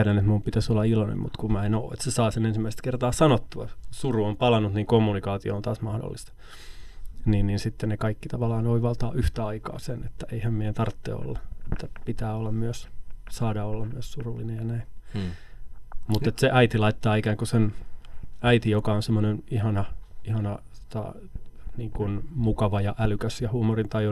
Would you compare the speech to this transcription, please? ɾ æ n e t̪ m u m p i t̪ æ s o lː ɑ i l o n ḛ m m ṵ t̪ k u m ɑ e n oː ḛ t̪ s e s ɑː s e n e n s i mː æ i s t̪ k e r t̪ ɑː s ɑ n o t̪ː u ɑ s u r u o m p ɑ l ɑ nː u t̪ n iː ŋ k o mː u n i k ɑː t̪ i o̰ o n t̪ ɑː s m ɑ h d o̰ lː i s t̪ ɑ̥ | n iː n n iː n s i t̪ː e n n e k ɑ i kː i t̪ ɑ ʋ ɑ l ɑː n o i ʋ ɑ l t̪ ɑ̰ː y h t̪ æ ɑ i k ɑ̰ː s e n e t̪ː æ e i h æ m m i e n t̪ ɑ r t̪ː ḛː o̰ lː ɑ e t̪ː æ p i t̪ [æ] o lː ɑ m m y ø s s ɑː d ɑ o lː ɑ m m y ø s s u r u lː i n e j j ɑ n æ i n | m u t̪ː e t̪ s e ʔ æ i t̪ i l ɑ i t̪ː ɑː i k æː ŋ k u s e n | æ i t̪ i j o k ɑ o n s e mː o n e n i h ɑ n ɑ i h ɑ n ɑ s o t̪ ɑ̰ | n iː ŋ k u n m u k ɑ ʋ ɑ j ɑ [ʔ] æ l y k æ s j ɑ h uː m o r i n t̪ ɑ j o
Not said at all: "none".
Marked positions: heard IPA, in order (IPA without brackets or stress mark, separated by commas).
æː, ʔ